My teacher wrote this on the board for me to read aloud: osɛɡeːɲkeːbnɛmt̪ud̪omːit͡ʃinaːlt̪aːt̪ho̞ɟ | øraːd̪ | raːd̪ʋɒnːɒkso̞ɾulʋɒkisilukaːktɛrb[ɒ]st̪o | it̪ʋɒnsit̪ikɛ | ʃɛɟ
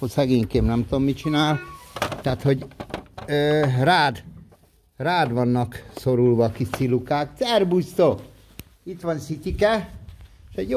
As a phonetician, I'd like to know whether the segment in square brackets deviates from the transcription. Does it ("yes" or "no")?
yes